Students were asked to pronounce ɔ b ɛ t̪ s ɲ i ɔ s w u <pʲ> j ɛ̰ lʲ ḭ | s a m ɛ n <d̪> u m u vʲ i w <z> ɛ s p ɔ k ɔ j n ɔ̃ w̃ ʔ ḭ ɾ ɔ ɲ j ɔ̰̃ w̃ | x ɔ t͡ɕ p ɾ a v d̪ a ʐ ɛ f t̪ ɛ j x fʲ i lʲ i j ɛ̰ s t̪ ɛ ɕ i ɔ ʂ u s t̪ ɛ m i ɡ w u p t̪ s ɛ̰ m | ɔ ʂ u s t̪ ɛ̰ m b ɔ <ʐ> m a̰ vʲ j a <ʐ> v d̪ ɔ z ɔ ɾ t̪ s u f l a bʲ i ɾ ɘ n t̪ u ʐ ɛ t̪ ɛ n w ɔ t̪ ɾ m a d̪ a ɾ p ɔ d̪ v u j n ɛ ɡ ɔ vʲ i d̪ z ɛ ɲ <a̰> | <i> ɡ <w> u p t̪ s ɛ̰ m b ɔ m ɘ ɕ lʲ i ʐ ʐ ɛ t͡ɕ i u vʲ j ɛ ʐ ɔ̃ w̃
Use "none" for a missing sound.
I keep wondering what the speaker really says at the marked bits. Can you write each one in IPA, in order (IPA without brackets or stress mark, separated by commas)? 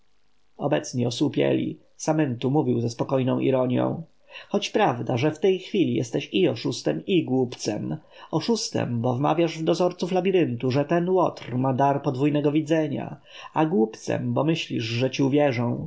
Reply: pʲ, t̪, z, v, ʐ, a̰, a, w